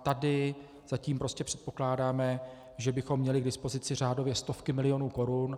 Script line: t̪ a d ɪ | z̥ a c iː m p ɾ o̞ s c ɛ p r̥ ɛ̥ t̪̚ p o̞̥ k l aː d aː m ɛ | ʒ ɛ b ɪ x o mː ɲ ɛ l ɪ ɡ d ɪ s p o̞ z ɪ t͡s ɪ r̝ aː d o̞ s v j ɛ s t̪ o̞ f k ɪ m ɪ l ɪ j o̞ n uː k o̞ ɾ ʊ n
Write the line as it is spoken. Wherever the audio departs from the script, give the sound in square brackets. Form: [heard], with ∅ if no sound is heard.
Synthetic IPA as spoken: t̪ a d ɪ | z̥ a c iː m p ɾ o̞ s c ɛ p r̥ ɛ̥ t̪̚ p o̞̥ k l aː d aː m ɛ | ʒ ɛ b ɪ x o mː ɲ ɛ l ɪ ɡ d ɪ s p o̞ z ɪ t͡s ɪ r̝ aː d o̞ [∅] v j ɛ s t̪ o̞ f k ɪ m ɪ l ɪ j o̞ n uː k o̞ ɾ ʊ n

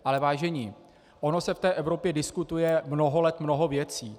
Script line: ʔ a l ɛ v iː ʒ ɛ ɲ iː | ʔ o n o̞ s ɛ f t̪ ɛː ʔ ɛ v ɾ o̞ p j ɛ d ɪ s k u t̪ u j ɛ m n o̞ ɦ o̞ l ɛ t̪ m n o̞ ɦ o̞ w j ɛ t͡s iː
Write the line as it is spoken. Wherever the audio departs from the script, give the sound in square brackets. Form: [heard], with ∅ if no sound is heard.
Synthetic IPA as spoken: ʔ a l ɛ v [aː] ʒ ɛ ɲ iː | ʔ o n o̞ s ɛ f t̪ ɛː ʔ ɛ v ɾ o̞ p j ɛ d ɪ s k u t̪ u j ɛ m n o̞ ɦ o̞ l ɛ t̪ m n o̞ ɦ o̞ [v] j ɛ t͡s iː

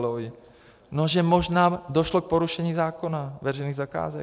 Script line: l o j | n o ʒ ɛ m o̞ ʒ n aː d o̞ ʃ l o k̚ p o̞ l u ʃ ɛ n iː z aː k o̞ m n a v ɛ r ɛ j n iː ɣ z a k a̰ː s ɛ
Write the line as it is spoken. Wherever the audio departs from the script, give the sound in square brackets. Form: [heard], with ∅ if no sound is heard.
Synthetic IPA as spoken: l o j | n o ʒ ɛ m o̞ ʒ n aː d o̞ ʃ l o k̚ p o̞ [ɾ] u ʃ ɛ [ɲ] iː z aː k o̞ [∅] n a v ɛ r ɛ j n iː ɣ z a k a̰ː [z] ɛ

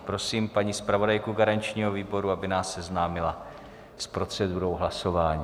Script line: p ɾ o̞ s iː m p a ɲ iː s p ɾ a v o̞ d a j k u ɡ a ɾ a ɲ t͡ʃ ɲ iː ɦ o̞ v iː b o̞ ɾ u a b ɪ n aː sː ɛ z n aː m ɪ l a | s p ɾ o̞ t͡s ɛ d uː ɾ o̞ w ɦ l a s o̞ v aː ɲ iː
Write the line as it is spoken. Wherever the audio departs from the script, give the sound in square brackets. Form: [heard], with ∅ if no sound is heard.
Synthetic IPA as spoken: p ɾ o̞ s iː m p a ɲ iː s p ɾ a v o̞ d a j k u ɡ a ɾ a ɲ t͡ʃ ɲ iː ɦ o̞ v iː b o̞ ɾ u a b ɪ n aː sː ɛ z n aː m ɪ l a | s p ɾ o̞ t͡s ɛ d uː ɾ o̞ w ɦ l a s o̞ v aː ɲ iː

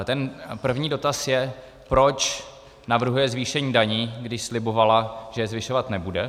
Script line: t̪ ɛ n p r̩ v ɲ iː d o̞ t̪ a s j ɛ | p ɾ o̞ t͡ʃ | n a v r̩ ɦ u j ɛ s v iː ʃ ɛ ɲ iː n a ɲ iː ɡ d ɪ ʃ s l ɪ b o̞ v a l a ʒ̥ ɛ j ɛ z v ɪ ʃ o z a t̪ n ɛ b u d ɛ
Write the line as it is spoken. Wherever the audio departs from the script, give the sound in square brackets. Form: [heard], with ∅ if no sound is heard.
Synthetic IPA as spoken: t̪ ɛ n p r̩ v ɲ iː d o̞ t̪ a s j ɛ | p ɾ o̞ t͡ʃ | n a v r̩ ɦ u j ɛ [z] v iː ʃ ɛ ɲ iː [d] a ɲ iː ɡ d ɪ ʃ s l ɪ b o̞ v a l a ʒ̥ ɛ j ɛ z v ɪ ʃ o [v] a t̪ n ɛ b u d ɛ

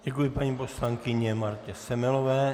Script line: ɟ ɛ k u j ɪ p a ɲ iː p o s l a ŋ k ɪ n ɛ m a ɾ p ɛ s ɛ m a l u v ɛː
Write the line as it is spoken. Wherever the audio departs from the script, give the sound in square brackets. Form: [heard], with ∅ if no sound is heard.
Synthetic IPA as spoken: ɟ ɛ k u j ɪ p a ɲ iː p o s l a ŋ k ɪ [ɲ] ɛ m a ɾ [c] ɛ s ɛ m [ɛ] l [o] v ɛː

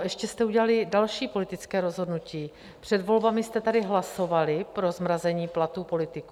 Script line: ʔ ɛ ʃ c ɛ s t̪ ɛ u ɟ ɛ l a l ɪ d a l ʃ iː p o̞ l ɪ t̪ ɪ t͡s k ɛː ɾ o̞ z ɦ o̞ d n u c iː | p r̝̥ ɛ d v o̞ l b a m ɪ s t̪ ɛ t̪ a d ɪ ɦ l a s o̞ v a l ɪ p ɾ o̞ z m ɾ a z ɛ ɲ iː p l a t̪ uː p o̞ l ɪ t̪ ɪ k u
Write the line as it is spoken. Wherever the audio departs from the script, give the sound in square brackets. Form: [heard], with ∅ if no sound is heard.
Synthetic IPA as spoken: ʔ ɛ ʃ c ɛ s t̪ ɛ u ɟ ɛ l a l ɪ d a l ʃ iː p o̞ l ɪ t̪ ɪ t͡s k ɛː ɾ o̞ z ɦ o̞ d n u c iː | p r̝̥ ɛ d v o̞ l b a m ɪ s t̪ ɛ t̪ a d ɪ ɦ l a s o̞ v a l ɪ p ɾ o̞ z m ɾ a z ɛ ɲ iː p l a t̪ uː p o̞ l ɪ t̪ ɪ k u

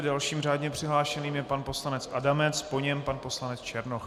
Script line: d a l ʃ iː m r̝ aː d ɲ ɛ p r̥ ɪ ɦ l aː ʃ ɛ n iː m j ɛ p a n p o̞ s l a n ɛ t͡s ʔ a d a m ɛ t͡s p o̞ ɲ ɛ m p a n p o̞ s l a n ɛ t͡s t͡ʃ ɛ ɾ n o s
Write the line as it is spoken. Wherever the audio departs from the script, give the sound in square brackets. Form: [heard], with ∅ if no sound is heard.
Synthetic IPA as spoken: d a l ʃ iː m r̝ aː d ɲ ɛ p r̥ ɪ ɦ l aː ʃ ɛ n iː m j ɛ p a n p o̞ s l a n ɛ t͡s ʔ a d a m ɛ t͡s p o̞ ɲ ɛ m p a n p o̞ s l a n ɛ t͡s t͡ʃ ɛ ɾ n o [x]

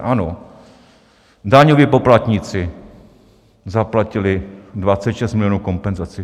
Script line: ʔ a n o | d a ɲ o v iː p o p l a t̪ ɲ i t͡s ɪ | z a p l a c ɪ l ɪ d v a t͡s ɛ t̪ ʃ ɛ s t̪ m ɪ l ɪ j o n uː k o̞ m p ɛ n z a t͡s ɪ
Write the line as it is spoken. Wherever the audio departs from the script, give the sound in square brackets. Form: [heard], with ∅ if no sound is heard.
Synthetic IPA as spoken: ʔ a n o | d a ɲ o v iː p o p l a t̪ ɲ i t͡s ɪ | z a p l a c ɪ l ɪ d v a t͡s ɛ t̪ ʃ ɛ s t̪ m ɪ l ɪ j o n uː k o̞ m p ɛ n z a t͡s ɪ

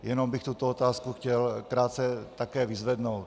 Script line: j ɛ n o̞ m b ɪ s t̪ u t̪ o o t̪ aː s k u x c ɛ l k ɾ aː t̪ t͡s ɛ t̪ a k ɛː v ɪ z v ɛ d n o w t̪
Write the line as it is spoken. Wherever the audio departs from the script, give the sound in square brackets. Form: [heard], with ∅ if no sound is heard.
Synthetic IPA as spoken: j ɛ n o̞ m b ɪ [x] t̪ u t̪ o o t̪ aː s k u x c ɛ l k ɾ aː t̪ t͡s ɛ t̪ a k ɛː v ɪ z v ɛ d n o w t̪

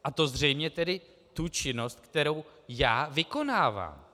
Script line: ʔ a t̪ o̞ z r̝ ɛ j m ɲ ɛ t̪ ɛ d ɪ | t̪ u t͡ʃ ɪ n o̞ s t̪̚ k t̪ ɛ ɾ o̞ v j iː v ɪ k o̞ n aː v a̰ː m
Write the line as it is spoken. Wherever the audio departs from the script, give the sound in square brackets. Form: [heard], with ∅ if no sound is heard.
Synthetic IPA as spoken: ʔ a t̪ o̞ z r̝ ɛ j m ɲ ɛ t̪ ɛ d ɪ | t̪ u t͡ʃ ɪ n o̞ s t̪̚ k t̪ ɛ ɾ o̞ [w] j [aː] v ɪ k o̞ n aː v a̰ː m

